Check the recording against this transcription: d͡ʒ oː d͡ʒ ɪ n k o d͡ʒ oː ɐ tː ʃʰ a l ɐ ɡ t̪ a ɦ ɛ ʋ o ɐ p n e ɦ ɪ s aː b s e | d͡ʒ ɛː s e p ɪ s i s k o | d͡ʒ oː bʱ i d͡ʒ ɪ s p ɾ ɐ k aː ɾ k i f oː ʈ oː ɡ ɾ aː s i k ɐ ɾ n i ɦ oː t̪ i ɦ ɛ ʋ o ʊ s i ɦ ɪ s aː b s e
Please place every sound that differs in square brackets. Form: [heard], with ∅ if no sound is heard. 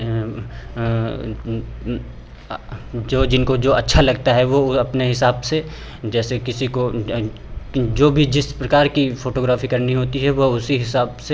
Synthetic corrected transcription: d͡ʒ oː d͡ʒ ɪ n k o d͡ʒ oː ɐ tː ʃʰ a l ɐ ɡ t̪ a ɦ ɛ ʋ o ɐ p n e ɦ ɪ s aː b s e | d͡ʒ ɛː s e [k] ɪ s i [∅] k o | d͡ʒ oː bʱ i d͡ʒ ɪ s p ɾ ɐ k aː ɾ k i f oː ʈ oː ɡ ɾ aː [f] i k ɐ ɾ n i ɦ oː t̪ i ɦ ɛ ʋ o ʊ s i ɦ ɪ s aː b s e